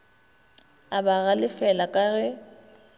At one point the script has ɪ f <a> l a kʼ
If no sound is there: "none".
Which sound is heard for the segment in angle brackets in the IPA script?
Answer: ɛ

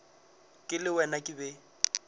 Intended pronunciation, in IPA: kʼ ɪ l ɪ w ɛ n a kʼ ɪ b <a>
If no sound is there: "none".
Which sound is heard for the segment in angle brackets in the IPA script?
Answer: ɛ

